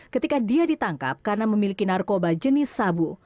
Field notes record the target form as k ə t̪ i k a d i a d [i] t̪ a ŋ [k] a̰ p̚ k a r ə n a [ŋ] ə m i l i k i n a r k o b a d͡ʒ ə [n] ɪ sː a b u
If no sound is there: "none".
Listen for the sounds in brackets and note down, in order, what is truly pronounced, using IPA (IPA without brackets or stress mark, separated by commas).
i, k, m, n